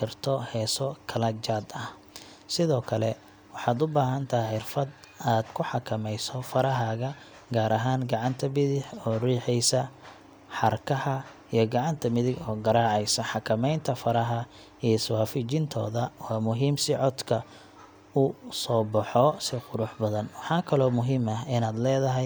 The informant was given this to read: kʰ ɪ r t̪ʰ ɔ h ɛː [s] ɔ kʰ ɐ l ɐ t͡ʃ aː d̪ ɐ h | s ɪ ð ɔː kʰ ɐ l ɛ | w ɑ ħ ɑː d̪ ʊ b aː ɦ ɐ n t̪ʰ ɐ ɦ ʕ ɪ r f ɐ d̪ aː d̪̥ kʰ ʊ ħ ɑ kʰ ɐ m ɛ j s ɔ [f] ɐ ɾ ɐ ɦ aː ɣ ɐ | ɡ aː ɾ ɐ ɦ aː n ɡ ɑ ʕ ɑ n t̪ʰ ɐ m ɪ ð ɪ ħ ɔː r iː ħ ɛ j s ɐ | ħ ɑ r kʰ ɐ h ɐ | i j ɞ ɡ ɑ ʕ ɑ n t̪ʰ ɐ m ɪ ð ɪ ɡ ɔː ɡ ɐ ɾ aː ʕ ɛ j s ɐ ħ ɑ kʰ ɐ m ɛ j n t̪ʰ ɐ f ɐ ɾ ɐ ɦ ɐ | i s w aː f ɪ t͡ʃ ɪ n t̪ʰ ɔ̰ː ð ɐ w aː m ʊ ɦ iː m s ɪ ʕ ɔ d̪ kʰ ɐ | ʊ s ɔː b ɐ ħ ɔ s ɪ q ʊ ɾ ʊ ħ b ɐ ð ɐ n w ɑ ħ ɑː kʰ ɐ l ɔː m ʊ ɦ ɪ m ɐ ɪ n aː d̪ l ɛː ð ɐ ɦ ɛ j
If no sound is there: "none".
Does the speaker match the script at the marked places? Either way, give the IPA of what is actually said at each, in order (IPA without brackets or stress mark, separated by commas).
s, f